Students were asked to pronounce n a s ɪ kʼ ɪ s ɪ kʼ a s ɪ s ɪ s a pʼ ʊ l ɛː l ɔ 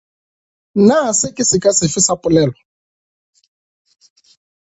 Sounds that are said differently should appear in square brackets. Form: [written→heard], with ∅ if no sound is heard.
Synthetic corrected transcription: n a s ɪ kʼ ɪ s ɪ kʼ a s ɪ [s→f] ɪ s a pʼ ʊ l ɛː l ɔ